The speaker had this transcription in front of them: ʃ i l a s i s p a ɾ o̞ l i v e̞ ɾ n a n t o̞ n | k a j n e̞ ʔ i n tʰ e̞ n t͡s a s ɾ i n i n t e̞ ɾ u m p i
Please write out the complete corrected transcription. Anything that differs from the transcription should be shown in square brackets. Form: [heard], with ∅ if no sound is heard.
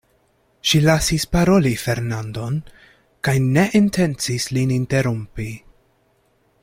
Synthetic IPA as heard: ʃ i l a s i s p a ɾ o̞ l i [f] e̞ ɾ n a n [d] o̞ n | k a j n e̞ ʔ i n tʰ e̞ n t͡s [i] s [l] i n i n t e̞ ɾ u m p i

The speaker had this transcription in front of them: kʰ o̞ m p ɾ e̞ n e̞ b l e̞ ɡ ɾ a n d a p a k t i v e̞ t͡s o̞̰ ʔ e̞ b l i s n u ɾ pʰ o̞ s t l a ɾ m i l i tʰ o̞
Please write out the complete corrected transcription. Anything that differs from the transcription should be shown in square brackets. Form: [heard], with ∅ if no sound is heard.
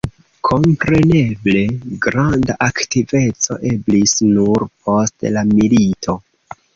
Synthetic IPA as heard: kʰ o̞ m p ɾ e̞ n e̞ b l e̞ ɡ ɾ a n d a [ʔ] a k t i v e̞ t͡s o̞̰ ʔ e̞ b l i s n u ɾ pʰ o̞ s t l a [∅] m i l i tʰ o̞

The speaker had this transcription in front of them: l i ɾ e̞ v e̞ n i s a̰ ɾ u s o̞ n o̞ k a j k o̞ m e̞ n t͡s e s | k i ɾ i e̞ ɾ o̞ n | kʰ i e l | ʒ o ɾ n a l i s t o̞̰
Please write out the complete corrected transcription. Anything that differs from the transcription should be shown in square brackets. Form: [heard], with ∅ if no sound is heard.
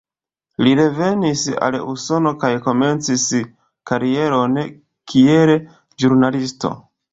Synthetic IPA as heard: l i ɾ e̞ v e̞ n i s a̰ [l] u s o̞ n o̞ k a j k o̞ m e̞ n t͡s [i] s | k [a] ɾ i e̞ ɾ o̞ n | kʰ i e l | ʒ [u] ɾ n a l i s t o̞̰

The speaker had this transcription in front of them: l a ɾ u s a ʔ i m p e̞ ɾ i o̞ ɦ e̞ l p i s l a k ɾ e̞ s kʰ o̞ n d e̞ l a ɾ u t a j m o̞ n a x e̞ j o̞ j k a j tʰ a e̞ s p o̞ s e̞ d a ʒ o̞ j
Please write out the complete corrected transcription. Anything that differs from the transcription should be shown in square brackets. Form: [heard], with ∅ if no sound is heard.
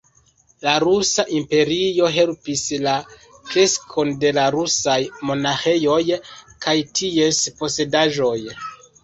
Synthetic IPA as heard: l a ɾ u s a ʔ i m p e̞ ɾ i o̞ ɦ e̞ l p i s l a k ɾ e̞ s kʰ o̞ n d e̞ l a ɾ u [s] a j m o̞ n a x e̞ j o̞ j k a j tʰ [i] e̞ s p o̞ s e̞ d a ʒ o̞ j

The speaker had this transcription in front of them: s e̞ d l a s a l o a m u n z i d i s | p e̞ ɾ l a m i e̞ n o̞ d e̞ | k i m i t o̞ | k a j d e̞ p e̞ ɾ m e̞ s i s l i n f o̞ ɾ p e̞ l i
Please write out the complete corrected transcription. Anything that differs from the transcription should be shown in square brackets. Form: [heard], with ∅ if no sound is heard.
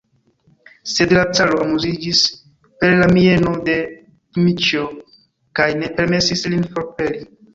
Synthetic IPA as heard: s e̞ d l a [t͡s] a l o a m u [∅] z i [d͡ʒ] i s | p e̞ ɾ l a m i e̞ n o̞ d e̞ | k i m i [t͡ʃ] o̞ | k a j [n] e̞ p e̞ ɾ m e̞ s i s l i n f o̞ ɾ p e̞ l i

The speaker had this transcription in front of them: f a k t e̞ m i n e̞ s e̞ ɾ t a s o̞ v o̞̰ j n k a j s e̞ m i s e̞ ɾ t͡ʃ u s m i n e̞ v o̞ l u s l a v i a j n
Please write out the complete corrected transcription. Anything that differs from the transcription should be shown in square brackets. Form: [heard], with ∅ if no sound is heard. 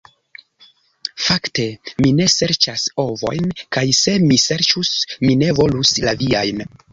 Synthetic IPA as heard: f a k t e̞ m i n e̞ s e̞ ɾ [t͡ʃ] a s o̞ v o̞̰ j n k a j s e̞ m i s e̞ ɾ t͡ʃ u s m i n e̞ v o̞ l u s l a v i a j n

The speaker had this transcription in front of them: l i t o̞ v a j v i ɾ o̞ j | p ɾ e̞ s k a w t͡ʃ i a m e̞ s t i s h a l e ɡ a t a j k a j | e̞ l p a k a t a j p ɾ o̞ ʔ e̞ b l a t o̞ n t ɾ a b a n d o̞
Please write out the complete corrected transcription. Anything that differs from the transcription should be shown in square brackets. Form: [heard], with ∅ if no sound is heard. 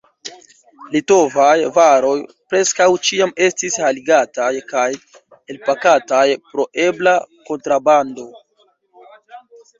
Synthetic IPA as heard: l i t o̞ v a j v [a] ɾ o̞ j | p ɾ e̞ s k a w t͡ʃ i a m e̞ s t i s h a l [i] ɡ a t a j k a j | e̞ l p a k a t a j p ɾ o̞ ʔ e̞ b l a [k] o̞ n t ɾ a b a n d o̞

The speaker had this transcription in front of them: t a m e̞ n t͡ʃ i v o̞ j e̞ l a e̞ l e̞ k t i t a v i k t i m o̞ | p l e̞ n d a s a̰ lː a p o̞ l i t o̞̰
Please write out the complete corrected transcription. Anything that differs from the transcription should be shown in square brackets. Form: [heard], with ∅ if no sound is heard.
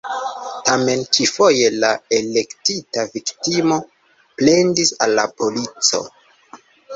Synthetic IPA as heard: t a m e̞ n t͡ʃ i [f] o̞ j e̞ l a e̞ l e̞ k t i t a v i k t i m o̞ | p l e̞ n d [i] s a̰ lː a p o̞ l i [t͡s] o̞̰

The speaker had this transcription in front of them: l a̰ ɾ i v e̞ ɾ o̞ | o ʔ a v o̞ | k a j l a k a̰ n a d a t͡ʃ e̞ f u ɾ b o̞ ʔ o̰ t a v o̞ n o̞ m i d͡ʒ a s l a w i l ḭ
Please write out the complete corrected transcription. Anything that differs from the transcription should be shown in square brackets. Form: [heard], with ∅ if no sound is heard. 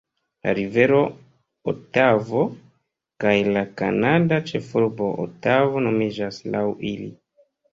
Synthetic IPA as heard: l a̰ ɾ i v e̞ ɾ o̞ | o [t] a v o̞ | k a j l a k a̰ n a d a t͡ʃ e̞ f u ɾ b o̞ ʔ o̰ t a v o̞ n o̞ m i d͡ʒ a s l a w i l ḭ

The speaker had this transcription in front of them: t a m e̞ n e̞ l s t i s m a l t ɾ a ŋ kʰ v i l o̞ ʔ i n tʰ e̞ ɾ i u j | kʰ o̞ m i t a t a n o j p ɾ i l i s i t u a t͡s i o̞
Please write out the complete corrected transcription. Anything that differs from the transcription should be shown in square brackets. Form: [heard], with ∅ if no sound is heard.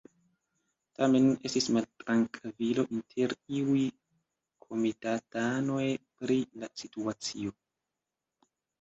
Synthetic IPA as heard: t a m e̞ n e̞ [∅] s t i s m a l t ɾ a ŋ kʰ v i l o̞ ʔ i n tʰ e̞ ɾ i u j | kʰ o̞ m i t a t a n o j p ɾ i l [a] s i t u a t͡s i o̞

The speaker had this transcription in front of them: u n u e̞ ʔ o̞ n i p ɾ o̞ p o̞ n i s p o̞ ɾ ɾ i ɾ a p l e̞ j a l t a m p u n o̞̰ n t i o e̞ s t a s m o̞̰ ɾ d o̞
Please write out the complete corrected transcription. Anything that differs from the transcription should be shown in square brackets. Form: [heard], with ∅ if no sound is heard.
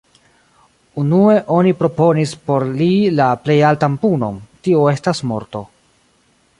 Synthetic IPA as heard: u n u e̞ ʔ o̞ n i p ɾ o̞ p o̞ n i s p o̞ ɾ [l] i [l] a p l e̞ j a l t a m p u n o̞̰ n t i o e̞ s t a s m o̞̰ ɾ [t] o̞

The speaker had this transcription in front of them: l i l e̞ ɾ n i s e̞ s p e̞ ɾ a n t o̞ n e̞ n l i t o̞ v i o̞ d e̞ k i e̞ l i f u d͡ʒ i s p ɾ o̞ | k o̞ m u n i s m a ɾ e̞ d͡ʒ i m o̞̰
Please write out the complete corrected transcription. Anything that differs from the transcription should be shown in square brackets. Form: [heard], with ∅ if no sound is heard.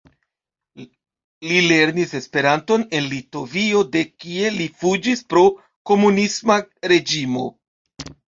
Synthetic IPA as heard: l i l e̞ ɾ n i s e̞ s p e̞ ɾ a n t o̞ n e̞ n l i t o̞ v i o̞ d e̞ k i e̞ l i f u d͡ʒ i s p ɾ o̞ | k o̞ m u n i s m a ɾ e̞ d͡ʒ i m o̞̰

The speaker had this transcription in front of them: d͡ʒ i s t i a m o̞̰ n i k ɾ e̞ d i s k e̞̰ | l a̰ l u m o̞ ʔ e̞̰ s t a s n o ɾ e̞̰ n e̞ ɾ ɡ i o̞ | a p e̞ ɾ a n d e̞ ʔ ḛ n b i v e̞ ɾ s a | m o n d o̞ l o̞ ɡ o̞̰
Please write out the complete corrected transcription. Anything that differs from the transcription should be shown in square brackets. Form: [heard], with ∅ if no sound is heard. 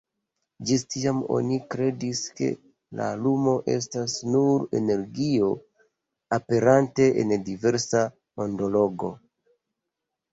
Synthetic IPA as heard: d͡ʒ i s t i a m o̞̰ n i k ɾ e̞ d i s k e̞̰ | l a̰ l u m o̞ ʔ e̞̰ s t a s n [u] ɾ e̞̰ n e̞ ɾ ɡ i o̞ | a p e̞ ɾ a n [t] e̞ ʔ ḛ n [d] i v e̞ ɾ s a | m o n d o̞ l o̞ ɡ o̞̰

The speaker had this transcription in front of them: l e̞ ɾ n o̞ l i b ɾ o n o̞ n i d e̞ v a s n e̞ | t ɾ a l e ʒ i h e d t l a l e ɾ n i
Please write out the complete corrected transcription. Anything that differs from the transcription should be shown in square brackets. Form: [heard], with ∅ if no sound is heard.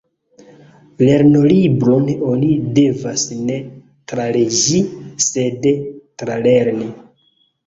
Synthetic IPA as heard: l e̞ ɾ n o̞ l i b ɾ o n o̞ n i d e̞ v a s n e̞ | t ɾ a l e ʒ i [s] e d t [ɾ] a l e ɾ n i

